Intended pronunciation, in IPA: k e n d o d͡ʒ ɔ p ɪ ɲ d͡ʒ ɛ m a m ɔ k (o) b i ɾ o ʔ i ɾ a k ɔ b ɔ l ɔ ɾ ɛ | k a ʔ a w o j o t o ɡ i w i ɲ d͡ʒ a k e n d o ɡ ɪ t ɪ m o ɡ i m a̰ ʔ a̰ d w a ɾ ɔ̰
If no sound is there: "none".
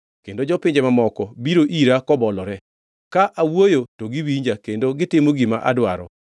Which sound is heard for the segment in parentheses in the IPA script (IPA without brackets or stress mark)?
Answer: ɔ